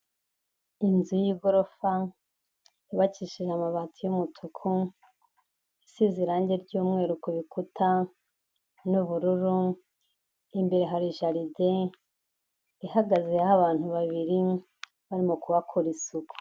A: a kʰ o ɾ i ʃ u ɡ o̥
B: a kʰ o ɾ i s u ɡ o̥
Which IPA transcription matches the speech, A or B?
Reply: B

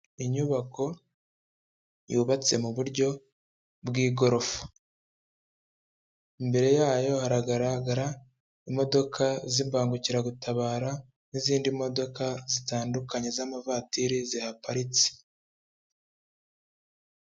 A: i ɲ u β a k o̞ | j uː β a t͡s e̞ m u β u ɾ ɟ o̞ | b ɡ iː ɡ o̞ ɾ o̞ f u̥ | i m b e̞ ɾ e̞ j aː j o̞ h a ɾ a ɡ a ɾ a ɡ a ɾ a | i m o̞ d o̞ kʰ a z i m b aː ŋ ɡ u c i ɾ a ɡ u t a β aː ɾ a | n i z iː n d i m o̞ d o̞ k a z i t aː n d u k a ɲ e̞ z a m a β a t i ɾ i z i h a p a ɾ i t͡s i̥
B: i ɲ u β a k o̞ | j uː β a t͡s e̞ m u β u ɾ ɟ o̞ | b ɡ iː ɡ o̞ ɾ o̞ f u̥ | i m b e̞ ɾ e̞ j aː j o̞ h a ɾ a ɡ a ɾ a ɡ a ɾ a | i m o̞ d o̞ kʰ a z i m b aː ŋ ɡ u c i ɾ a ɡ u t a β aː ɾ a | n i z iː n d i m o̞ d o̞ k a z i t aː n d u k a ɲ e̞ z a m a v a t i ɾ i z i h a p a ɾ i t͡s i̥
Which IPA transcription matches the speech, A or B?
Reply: B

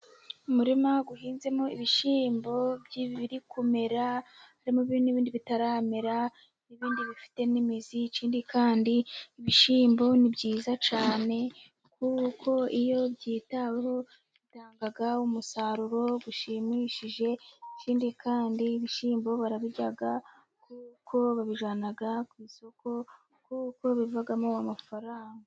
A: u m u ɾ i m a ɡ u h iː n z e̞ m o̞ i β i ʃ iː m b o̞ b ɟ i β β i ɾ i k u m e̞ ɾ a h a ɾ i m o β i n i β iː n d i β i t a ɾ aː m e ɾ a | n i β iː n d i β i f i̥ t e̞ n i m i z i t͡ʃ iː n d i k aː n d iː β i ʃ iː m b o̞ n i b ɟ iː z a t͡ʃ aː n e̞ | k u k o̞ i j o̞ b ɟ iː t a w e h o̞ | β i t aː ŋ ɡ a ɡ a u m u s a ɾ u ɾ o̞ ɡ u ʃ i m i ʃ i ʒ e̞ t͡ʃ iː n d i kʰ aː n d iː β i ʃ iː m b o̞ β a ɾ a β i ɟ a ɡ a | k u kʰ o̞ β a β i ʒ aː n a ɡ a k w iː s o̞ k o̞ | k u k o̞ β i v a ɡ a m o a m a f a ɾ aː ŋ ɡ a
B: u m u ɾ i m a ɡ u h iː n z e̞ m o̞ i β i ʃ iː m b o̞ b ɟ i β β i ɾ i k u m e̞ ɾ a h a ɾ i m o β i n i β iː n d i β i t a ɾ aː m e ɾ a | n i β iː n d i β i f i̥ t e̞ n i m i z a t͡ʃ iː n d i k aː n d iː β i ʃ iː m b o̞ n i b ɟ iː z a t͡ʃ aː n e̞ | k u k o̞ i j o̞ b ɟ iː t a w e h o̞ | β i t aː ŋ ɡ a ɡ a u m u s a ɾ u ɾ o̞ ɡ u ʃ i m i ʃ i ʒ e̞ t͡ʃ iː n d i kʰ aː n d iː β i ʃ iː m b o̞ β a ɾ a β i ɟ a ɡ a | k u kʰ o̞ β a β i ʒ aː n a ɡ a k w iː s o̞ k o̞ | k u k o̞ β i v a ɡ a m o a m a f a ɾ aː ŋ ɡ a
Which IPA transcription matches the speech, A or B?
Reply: A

